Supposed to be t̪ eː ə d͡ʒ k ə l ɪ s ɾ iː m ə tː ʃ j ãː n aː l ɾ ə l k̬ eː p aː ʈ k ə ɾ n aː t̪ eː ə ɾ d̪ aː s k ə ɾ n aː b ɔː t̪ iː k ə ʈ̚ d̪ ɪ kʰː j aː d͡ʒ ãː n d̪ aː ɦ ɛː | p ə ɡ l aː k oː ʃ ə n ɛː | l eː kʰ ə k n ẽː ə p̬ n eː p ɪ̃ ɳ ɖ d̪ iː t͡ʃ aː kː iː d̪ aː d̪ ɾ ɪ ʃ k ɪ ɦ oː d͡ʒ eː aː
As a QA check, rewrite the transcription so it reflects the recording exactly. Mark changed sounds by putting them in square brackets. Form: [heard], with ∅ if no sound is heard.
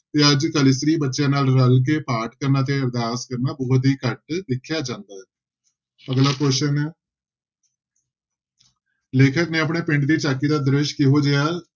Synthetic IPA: t̪ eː ə d͡ʒ k ə l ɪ s ɾ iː [b] ə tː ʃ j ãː n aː l ɾ ə l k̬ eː p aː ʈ k ə ɾ n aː t̪ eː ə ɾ d̪ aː s k ə ɾ n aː b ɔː t̪ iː k ə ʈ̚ d̪ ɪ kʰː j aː d͡ʒ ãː n d̪ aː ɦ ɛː | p ə ɡ l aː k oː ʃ ə n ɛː | l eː kʰ ə k n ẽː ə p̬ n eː p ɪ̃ ɳ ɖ d̪ iː t͡ʃ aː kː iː d̪ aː d̪ ɾ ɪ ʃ k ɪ ɦ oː d͡ʒ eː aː

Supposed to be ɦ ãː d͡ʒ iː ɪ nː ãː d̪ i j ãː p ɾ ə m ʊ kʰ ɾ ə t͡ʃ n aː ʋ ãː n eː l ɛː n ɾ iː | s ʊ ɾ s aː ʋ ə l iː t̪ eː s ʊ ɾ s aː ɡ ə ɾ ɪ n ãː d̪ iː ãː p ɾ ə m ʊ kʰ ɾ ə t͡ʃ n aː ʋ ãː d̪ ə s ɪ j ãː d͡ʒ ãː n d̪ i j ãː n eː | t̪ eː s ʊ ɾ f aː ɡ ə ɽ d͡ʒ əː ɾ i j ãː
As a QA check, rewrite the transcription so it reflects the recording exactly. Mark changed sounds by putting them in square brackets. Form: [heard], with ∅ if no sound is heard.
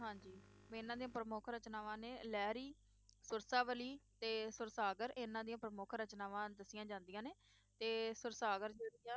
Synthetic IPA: ɦ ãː d͡ʒ iː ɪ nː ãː d̪ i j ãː p ɾ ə m ʊ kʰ ɾ ə t͡ʃ n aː ʋ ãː n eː l ɛː [∅] ɾ iː | s ʊ ɾ s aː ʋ ə l iː t̪ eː s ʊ ɾ s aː ɡ ə ɾ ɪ n ãː d̪ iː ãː p ɾ ə m ʊ kʰ ɾ ə t͡ʃ n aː ʋ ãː d̪ ə s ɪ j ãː d͡ʒ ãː n d̪ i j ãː n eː | t̪ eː s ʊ ɾ [s] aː ɡ ə [ɾ] d͡ʒ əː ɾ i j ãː

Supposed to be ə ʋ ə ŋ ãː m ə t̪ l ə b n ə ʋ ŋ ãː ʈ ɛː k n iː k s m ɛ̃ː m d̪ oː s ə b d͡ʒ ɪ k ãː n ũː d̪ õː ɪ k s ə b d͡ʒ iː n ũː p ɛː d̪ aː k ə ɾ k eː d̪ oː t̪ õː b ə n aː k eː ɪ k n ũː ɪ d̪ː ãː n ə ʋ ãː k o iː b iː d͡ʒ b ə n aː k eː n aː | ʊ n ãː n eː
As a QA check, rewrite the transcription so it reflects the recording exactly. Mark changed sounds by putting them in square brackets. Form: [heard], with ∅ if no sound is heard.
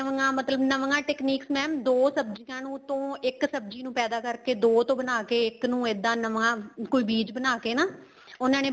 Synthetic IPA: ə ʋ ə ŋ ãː m ə t̪ l ə b n ə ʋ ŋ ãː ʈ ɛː k n iː k s m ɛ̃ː m d̪ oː s ə b d͡ʒ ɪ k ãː n ũː [t̪] õː ɪ k s ə b d͡ʒ iː n ũː p ɛː d̪ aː k ə ɾ k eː d̪ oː t̪ õː b ə n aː k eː ɪ k n ũː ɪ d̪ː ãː n ə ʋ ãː k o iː b iː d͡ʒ b ə n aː k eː n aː | ʊ n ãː n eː

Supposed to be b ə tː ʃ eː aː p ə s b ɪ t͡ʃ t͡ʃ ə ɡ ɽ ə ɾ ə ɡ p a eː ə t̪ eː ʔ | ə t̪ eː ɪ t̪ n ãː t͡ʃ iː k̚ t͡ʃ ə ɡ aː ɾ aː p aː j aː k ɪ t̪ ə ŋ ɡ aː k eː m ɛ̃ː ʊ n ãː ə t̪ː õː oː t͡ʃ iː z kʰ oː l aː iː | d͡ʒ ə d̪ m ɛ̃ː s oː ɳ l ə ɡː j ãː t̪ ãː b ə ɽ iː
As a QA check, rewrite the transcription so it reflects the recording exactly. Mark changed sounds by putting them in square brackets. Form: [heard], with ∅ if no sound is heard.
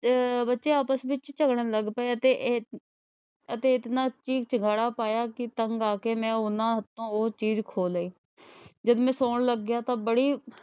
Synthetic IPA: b ə tː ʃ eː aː p ə s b ɪ t͡ʃ t͡ʃ ə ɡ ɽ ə [l] ə ɡ p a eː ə t̪ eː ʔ | ə t̪ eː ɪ t̪ n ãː t͡ʃ iː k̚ t͡ʃ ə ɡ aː [ɽ] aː p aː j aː k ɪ t̪ ə ŋ ɡ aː k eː m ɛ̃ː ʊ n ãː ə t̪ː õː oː t͡ʃ iː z kʰ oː l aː iː | d͡ʒ ə d̪ m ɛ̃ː s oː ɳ l ə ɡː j [aː] t̪ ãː b ə ɽ iː

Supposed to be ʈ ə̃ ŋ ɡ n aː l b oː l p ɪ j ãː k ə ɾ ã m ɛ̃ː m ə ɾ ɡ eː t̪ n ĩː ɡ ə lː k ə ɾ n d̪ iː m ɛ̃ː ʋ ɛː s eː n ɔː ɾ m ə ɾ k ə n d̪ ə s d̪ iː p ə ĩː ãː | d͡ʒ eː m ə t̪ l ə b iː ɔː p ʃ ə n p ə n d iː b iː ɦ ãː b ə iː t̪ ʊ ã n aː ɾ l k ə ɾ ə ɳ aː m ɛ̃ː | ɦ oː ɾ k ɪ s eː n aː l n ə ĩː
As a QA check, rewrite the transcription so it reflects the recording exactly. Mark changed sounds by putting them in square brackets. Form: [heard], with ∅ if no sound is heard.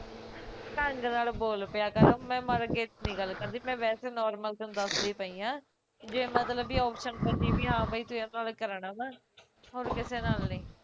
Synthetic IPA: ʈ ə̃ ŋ ɡ n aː l b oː l p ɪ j [aː] k ə ɾ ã m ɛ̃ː m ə ɾ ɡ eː t̪ n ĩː ɡ ə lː k ə ɾ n d̪ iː m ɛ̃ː ʋ ɛː s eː n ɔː ɾ m ə [l] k ə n d̪ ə s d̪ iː p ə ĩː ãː | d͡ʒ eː m ə t̪ l ə b iː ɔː p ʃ ə n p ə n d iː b iː ɦ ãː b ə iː t̪ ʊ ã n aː [∅] l k ə ɾ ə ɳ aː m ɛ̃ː | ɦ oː ɾ k ɪ s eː n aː l n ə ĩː

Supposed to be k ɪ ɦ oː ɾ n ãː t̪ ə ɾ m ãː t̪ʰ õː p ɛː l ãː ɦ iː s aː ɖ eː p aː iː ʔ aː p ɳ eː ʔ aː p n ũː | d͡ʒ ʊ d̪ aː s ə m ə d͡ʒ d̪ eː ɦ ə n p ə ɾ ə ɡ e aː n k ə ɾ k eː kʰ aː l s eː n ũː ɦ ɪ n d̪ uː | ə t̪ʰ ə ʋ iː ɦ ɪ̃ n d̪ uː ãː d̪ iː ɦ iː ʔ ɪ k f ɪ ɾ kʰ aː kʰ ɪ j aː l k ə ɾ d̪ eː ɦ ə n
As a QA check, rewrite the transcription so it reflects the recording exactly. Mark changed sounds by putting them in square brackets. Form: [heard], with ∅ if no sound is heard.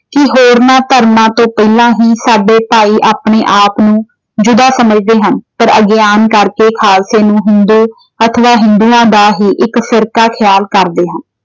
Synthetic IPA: k ɪ ɦ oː ɾ n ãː t̪ ə ɾ m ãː [t̪] õː p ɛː l ãː ɦ iː s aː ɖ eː p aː iː ʔ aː p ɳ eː ʔ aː p n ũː | d͡ʒ ʊ d̪ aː s ə m ə d͡ʒ d̪ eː ɦ ə n p ə ɾ ə ɡ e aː n k ə ɾ k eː kʰ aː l s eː n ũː ɦ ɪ n d̪ uː | ə t̪ʰ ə ʋ [aː] ɦ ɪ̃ n d̪ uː ãː d̪ [aː] ɦ iː ʔ ɪ k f ɪ ɾ [k] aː kʰ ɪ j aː l k ə ɾ d̪ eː ɦ ə n

